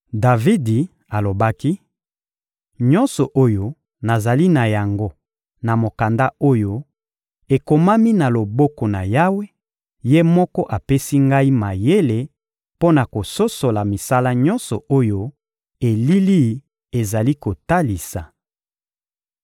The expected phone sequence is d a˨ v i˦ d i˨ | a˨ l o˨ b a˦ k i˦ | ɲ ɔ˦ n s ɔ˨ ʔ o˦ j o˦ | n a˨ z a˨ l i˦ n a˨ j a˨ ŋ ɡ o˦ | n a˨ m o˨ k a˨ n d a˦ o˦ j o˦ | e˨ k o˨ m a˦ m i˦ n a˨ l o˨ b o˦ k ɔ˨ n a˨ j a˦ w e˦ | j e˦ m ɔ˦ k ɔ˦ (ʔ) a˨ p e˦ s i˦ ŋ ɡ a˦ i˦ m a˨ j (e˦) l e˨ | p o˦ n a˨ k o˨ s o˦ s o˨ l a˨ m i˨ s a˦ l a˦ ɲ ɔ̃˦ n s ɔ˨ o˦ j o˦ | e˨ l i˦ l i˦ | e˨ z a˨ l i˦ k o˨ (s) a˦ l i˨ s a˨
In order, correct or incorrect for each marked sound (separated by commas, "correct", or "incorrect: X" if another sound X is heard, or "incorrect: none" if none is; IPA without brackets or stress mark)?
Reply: correct, correct, incorrect: t